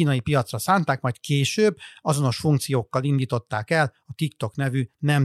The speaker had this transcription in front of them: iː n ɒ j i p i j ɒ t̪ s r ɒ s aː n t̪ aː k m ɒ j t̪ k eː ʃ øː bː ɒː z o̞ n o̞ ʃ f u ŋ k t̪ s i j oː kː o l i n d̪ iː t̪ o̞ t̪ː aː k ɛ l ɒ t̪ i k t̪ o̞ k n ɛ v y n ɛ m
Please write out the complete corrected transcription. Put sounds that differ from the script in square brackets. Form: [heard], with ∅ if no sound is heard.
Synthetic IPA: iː n ɒ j i p i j ɒ t̪ s r ɒ s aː n t̪ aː k m ɒ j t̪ k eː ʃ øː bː [ɒ] z o̞ n o̞ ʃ f u ŋ k t̪ s i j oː kː [ɒ] l i n d̪ iː t̪ o̞ t̪ː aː k ɛ l ɒ t̪ i k t̪ o̞ k n ɛ v y n ɛ m